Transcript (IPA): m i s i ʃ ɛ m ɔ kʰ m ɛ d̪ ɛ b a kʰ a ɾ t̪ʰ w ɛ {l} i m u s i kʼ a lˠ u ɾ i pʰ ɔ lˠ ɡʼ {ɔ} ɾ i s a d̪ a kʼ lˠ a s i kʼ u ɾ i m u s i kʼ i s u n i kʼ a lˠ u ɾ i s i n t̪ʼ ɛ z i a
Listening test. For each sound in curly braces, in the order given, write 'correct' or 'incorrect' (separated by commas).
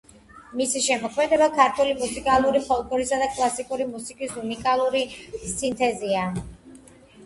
correct, correct